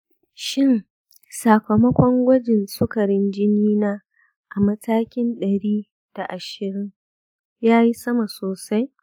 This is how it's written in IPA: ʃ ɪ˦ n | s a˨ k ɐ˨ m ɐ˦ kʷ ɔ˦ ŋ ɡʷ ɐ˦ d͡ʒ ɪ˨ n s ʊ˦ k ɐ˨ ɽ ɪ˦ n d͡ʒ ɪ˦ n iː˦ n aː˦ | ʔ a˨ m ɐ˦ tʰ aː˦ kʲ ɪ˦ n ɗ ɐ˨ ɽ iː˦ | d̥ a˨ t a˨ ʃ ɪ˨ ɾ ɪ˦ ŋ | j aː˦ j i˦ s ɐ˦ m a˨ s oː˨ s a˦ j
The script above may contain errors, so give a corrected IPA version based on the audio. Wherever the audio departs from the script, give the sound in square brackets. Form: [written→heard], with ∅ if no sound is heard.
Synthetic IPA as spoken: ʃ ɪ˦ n | s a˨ k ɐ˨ m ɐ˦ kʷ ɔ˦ ŋ ɡʷ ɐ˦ d͡ʒ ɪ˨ n s ʊ˦ k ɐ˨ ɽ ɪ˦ n d͡ʒ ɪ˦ n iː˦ n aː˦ | ʔ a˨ m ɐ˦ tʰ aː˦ kʲ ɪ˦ n ɗ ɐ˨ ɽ iː˦ | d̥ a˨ [t→ʔ] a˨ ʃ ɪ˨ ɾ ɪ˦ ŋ | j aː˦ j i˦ s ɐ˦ m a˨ s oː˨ s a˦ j